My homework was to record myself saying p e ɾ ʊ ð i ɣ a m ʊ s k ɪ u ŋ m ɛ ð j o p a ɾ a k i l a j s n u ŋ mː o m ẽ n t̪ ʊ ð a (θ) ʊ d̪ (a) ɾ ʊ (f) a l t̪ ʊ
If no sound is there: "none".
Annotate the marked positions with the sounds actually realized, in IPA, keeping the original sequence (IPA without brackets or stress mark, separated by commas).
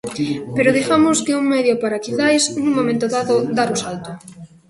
ð, a, s